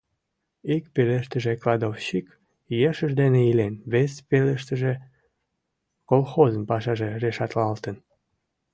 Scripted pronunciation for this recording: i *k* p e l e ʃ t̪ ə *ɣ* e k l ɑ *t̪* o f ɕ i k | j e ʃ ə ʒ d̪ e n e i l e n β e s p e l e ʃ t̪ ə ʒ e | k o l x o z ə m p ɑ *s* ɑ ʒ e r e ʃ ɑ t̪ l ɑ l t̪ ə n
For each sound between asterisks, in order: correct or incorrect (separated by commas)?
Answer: correct, incorrect, incorrect, incorrect